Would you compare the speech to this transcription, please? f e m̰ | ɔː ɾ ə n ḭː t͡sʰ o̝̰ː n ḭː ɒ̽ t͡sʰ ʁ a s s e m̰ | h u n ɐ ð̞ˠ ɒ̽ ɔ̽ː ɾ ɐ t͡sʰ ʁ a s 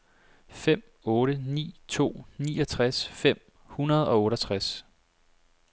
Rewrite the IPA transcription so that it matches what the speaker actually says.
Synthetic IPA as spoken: f e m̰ | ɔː ɾ ə n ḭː t͡sʰ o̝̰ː n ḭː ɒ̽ t͡sʰ ʁ a s f e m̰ | h u n ɐ ð̞ˠ ɒ̽ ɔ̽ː ɾ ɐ t͡sʰ ʁ a s